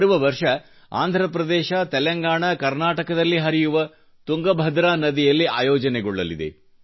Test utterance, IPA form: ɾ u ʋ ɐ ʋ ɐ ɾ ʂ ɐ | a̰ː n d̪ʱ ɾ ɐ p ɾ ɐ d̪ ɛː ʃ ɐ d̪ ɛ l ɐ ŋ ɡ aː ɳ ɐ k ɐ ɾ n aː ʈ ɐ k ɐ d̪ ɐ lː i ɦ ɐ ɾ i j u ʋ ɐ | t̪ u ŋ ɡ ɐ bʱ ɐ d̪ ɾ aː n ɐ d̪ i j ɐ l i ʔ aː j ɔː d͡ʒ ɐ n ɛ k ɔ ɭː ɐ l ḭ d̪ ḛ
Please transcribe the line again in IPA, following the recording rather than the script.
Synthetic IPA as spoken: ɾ u ʋ ɐ ʋ ɐ ɾ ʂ ɐ | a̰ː n d̪ʱ ɾ ɐ p ɾ ɐ d̪ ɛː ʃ ɐ t̪ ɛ l ɐ ŋ ɡ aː ɳ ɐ k ɐ ɾ n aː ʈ ɐ k ɐ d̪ ɐ lː i ɦ ɐ ɾ i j u ʋ ɐ | t̪ u ŋ ɡ ɐ bʱ ɐ d̪ ɾ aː n ɐ d̪ i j ɐ lː i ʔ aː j ɔː d͡ʒ ɐ n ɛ ɡ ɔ ɭː ɐ l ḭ d̪ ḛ